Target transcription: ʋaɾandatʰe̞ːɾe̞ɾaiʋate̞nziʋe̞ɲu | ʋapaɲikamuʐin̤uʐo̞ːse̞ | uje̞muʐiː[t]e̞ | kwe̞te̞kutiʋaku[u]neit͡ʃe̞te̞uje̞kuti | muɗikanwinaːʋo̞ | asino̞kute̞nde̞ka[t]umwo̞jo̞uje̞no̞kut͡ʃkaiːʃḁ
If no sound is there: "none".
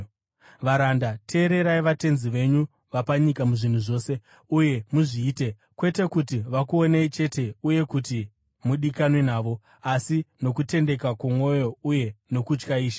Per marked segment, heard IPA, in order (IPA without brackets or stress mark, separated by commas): t, o, k